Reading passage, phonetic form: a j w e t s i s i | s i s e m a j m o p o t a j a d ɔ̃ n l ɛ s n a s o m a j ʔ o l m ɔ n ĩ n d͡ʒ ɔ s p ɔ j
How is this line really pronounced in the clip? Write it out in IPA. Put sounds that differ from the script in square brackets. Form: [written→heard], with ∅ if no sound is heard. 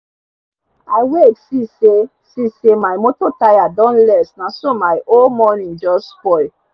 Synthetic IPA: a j w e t s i s [i→e] | s i s e m a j m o [p→t] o t a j a d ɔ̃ n l ɛ s n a s o m a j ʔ o l m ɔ n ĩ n d͡ʒ ɔ s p ɔ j